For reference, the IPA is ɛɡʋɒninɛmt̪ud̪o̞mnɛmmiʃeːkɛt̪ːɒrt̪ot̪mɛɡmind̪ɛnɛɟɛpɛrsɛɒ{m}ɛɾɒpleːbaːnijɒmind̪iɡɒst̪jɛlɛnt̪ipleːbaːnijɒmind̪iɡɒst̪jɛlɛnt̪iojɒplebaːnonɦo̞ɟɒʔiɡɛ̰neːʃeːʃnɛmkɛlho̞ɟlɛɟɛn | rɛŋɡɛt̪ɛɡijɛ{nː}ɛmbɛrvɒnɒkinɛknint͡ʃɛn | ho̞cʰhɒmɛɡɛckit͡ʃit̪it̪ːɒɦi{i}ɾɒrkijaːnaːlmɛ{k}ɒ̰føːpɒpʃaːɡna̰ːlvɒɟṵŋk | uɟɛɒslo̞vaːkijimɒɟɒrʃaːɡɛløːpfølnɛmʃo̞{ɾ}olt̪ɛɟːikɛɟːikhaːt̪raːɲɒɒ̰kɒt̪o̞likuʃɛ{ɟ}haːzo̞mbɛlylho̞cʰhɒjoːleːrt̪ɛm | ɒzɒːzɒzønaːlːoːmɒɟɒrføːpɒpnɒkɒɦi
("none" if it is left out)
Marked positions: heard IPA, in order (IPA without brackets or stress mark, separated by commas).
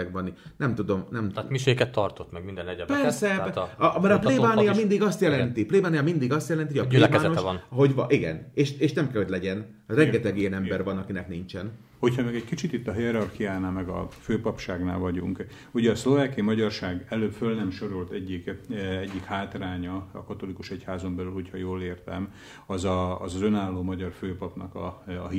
m, n, ɛ, ɡ, ɾ, c